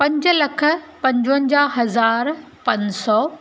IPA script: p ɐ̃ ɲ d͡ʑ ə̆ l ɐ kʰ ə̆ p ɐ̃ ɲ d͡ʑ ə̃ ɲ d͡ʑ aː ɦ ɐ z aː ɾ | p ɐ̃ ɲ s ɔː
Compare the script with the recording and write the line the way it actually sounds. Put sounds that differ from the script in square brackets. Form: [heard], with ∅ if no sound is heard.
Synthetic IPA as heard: p ɐ̃ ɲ d͡ʑ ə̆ l ɐ kʰ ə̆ p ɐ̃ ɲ d͡ʑ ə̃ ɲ d͡ʑ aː ɦ ɐ z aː ɾ | p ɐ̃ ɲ s ɔː

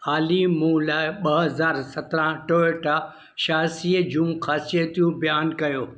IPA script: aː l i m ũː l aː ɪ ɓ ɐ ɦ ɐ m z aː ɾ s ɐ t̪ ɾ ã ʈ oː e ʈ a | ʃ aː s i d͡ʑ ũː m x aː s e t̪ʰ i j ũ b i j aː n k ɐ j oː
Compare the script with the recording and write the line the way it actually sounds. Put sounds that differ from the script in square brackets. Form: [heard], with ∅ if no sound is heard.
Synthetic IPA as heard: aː l i m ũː l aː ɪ ɓ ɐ ɦ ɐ [∅] z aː ɾ s ɐ t̪ ɾ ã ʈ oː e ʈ a | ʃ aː s i d͡ʑ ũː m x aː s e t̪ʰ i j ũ b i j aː n k ɐ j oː

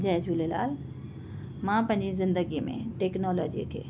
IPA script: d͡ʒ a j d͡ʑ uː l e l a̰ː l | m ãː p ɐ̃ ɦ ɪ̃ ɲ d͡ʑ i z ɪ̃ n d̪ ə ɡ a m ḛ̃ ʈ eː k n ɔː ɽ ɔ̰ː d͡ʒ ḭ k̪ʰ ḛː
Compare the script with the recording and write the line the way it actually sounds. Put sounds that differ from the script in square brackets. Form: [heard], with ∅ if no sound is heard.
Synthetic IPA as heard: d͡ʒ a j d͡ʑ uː l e l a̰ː l | m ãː p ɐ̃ ɦ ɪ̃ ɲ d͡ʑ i z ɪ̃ n d̪ ə ɡ [i] m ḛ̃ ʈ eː k n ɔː [l] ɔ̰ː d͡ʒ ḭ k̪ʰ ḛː

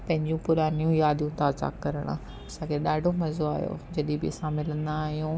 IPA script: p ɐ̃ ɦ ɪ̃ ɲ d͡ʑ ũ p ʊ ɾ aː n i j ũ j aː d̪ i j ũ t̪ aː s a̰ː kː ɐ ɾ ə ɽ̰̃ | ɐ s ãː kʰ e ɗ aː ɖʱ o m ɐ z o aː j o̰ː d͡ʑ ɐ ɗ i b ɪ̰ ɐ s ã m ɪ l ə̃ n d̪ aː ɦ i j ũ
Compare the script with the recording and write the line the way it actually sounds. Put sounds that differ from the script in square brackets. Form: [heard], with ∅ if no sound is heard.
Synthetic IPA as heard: p ɐ̃ ɦ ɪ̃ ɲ d͡ʑ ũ p ʊ ɾ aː n i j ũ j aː d̪ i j ũ t̪ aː [z] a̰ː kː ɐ ɾ ə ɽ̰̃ | ɐ s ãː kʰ e ɗ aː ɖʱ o m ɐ z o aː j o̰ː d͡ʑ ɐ ɗ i b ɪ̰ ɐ s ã m ɪ l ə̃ n d̪ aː ɦ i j ũ

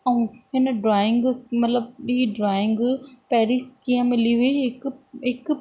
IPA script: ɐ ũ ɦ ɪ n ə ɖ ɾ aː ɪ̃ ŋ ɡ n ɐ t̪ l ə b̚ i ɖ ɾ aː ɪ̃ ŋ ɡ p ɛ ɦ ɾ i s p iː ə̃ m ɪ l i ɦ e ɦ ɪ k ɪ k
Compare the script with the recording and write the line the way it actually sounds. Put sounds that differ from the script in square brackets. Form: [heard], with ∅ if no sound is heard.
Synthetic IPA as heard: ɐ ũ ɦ ɪ n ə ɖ ɾ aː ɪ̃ ŋ ɡ [m] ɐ t̪ l ə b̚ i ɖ ɾ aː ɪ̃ ŋ ɡ p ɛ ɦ ɾ i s [k] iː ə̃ m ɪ l i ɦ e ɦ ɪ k ɪ k

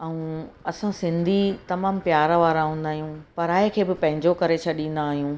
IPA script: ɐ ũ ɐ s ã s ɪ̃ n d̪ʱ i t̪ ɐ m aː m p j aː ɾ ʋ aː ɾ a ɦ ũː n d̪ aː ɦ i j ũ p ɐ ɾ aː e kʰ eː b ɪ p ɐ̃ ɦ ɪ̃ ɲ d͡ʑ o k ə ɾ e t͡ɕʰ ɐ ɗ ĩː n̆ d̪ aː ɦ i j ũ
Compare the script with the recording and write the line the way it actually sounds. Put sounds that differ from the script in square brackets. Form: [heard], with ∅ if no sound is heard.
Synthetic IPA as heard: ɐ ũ ɐ s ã s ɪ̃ n d̪ʱ i t̪ ɐ m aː m p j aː ɾ ʋ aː ɾ a ɦ ũː n d̪ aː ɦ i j ũ p ɐ ɾ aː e kʰ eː b ɪ p ɐ̃ ɦ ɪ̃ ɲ d͡ʑ o k [ɐ] ɾ e t͡ɕʰ ɐ ɗ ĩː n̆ d̪ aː ɦ i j ũ

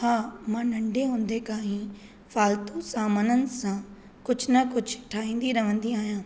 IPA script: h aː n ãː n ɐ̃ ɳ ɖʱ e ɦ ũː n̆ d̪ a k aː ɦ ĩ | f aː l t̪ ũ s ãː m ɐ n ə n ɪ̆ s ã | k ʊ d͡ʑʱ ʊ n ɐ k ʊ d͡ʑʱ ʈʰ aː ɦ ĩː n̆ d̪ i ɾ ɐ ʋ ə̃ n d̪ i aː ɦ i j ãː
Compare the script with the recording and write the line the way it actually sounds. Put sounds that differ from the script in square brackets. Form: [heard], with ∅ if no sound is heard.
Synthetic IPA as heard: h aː [m] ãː n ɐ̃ ɳ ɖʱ e ɦ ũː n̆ d̪ [e] k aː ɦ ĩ | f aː l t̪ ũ s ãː m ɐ n ə n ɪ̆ s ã | k ʊ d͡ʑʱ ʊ n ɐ k ʊ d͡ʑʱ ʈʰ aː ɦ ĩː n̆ d̪ i ɾ ɐ ʋ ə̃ n d̪ i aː ɦ i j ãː

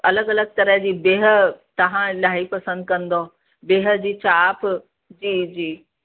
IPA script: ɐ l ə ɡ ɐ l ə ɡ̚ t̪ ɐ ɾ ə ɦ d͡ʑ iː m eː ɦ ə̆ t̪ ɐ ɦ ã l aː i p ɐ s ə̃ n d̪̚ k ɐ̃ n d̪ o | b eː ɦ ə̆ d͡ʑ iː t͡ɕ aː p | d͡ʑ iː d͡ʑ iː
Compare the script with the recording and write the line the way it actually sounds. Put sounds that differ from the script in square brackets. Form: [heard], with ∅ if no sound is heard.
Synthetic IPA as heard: ɐ l ə ɡ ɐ l ə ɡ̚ t̪ ɐ ɾ ə ɦ d͡ʑ iː [b] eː ɦ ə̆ t̪ ɐ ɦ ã l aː i p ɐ s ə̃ n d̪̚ k ɐ̃ n d̪ o | b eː ɦ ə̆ d͡ʑ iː t͡ɕ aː p | d͡ʑ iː d͡ʑ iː

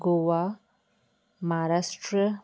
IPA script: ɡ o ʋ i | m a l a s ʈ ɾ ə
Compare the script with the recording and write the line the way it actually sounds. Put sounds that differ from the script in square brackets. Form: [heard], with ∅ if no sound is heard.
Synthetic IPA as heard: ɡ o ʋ [a] | m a [ɾ] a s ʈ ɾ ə

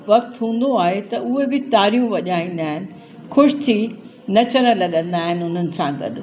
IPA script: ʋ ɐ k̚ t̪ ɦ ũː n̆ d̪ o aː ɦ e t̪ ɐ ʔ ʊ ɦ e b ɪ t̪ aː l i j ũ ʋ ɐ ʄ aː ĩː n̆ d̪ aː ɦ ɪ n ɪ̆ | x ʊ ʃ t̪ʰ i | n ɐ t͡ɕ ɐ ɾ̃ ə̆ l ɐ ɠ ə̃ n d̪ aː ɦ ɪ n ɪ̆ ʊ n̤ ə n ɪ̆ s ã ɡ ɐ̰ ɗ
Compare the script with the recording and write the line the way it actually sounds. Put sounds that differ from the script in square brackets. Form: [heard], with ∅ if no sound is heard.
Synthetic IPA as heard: ʋ ɐ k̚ t̪ ɦ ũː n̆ d̪ o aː ɦ e t̪ ɐ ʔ ʊ ɦ e b ɪ t̪ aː [ɾ] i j ũ ʋ ɐ ʄ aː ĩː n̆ d̪ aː ɦ ɪ n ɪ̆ | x ʊ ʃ t̪ʰ i | n ɐ t͡ɕ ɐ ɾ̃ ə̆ l ɐ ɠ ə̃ n d̪ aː ɦ ɪ n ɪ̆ ʊ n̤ ə n ɪ̆ s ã ɡ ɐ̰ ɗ

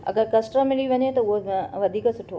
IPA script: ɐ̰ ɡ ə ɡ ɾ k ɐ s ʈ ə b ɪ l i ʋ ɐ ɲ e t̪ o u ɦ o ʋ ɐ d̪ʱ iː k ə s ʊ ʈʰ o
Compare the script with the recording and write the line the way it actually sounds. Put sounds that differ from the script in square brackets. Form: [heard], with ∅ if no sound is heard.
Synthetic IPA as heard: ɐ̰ ɡ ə [∅] ɾ k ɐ s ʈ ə [m] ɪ l i ʋ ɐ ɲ e t̪ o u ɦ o ʋ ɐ d̪ʱ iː k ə s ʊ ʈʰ o

